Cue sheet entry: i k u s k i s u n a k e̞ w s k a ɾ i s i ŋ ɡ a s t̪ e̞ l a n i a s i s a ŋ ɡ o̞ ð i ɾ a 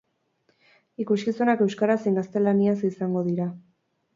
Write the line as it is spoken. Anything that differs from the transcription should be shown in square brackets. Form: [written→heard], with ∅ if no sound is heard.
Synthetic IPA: i k u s k i s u n a k e̞ w s k a ɾ [i→a] s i ŋ ɡ a s t̪ e̞ l a n i a s i s a ŋ ɡ o̞ ð i ɾ a